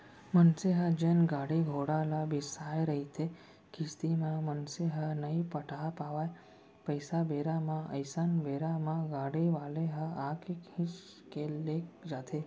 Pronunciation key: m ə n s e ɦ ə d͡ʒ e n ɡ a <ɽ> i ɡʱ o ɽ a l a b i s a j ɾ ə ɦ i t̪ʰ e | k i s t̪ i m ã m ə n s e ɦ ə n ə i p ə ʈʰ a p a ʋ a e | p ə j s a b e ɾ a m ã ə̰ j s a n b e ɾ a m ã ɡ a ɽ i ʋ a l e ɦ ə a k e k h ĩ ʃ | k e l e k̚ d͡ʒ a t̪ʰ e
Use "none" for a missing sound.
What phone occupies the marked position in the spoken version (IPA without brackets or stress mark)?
ɽ